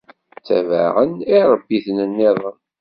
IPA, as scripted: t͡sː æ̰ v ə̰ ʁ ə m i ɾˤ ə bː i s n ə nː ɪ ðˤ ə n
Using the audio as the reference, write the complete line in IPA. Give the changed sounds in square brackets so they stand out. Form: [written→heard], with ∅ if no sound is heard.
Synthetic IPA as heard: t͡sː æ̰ v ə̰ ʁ ə [m→n] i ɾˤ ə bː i [s→θ] n ə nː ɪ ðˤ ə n